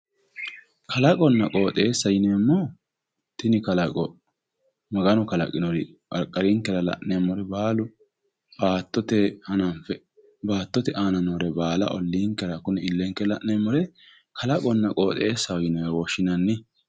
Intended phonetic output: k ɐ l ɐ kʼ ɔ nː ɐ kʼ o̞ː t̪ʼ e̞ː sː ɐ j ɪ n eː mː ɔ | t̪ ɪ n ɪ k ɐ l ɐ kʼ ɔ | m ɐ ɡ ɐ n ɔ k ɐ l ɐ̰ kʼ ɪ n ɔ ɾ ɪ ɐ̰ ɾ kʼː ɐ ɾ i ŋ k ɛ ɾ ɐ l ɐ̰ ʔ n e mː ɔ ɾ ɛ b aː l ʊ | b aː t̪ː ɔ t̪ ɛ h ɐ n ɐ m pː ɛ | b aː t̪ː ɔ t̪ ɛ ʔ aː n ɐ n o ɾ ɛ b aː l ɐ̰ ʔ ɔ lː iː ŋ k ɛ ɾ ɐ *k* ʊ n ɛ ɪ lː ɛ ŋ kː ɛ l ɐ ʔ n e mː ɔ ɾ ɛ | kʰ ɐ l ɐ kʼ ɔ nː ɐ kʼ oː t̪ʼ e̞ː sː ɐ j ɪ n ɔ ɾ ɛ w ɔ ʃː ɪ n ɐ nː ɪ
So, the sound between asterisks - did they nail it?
yes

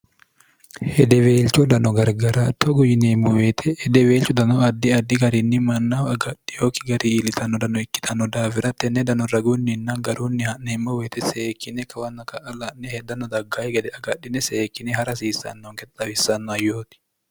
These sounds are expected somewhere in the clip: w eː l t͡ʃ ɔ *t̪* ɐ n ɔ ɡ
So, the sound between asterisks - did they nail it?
no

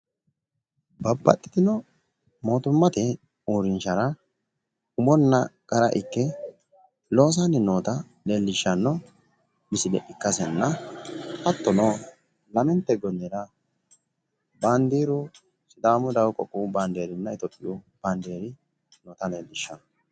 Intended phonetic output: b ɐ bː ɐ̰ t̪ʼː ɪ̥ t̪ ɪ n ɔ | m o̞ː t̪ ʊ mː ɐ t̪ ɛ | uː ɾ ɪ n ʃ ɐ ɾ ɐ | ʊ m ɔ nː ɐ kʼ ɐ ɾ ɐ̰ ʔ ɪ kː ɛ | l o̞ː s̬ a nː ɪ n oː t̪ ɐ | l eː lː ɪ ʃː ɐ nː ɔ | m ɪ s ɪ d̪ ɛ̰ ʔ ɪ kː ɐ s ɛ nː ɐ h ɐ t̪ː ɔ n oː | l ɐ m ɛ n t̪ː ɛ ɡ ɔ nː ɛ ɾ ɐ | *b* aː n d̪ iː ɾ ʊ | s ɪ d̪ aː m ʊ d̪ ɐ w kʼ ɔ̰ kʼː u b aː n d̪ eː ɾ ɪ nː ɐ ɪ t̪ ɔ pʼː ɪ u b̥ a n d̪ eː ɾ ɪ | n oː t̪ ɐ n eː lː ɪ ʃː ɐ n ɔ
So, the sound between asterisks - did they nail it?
yes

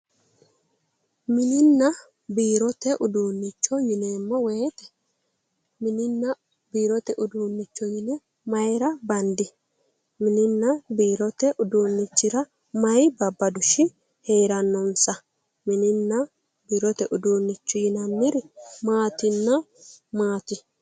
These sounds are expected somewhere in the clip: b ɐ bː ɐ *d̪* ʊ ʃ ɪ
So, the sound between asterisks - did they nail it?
yes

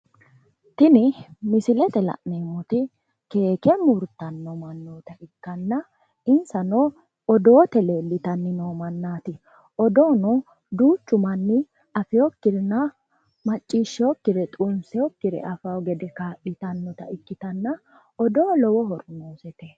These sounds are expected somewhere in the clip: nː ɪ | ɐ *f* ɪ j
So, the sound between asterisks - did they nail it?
yes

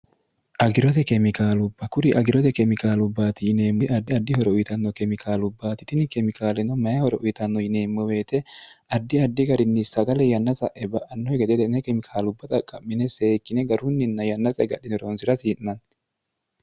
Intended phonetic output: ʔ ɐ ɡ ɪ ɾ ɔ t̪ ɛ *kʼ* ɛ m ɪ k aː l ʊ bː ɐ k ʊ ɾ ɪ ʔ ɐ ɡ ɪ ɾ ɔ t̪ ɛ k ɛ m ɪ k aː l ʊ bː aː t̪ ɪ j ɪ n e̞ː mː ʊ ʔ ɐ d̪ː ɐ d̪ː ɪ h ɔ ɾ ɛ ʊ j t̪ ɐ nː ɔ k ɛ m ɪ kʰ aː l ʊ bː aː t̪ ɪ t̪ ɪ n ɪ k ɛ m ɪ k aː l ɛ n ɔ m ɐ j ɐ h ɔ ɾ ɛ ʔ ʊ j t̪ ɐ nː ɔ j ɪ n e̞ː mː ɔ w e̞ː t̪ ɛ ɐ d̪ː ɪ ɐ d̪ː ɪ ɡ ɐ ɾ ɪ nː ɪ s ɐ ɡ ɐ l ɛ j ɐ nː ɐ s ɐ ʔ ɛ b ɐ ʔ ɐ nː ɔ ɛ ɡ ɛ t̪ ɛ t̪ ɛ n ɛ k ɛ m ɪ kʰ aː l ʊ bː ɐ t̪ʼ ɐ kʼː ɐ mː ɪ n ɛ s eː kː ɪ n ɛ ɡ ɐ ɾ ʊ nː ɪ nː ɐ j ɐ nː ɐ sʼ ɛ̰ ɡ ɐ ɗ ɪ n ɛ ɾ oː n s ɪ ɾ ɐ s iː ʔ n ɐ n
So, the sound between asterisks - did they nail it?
no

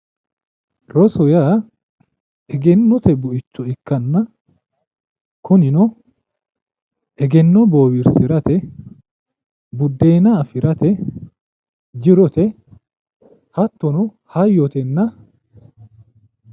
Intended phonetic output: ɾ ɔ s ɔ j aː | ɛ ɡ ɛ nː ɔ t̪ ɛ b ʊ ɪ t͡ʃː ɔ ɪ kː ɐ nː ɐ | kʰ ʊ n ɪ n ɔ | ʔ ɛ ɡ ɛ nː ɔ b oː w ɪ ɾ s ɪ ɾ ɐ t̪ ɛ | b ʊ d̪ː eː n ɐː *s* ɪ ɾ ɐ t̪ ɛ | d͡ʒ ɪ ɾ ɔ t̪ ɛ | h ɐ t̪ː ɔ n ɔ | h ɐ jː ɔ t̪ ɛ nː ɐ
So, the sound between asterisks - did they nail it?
no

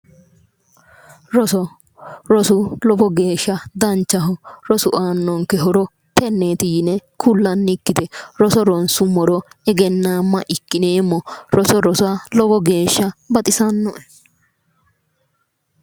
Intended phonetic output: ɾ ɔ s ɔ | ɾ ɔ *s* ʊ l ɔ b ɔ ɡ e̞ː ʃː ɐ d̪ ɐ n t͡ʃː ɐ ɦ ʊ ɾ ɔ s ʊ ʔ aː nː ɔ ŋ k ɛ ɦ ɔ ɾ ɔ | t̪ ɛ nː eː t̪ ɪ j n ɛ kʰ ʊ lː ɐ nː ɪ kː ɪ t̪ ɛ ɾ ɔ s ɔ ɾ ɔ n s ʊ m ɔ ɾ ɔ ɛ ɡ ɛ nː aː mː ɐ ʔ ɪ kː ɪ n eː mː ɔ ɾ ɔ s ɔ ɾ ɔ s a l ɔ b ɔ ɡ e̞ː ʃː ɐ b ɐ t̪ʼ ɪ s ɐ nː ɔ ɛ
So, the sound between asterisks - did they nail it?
yes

